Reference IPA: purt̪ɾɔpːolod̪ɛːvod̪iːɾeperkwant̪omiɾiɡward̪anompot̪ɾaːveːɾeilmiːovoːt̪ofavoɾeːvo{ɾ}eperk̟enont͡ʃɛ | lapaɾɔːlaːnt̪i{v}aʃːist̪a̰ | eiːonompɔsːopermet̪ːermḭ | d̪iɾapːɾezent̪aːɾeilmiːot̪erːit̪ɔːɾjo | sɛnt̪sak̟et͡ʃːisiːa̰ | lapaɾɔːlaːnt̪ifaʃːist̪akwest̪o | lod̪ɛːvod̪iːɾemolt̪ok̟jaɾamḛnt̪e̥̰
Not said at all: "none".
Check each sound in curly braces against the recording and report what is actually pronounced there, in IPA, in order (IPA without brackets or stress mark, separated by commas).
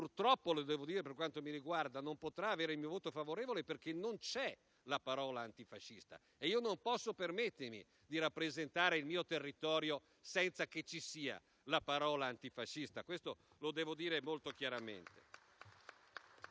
l, f